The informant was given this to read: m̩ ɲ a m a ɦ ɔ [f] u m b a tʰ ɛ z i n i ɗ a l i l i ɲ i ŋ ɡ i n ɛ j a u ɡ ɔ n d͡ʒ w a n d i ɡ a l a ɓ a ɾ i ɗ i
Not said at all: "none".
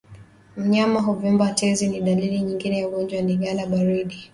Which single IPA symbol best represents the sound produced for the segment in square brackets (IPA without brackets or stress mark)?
v